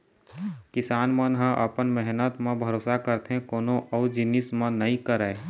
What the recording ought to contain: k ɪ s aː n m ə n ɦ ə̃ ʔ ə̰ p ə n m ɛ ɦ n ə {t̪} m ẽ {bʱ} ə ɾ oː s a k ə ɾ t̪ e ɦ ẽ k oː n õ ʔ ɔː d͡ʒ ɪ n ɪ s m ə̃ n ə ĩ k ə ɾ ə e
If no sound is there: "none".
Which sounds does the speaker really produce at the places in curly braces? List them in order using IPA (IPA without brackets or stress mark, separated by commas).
t̪, bʱ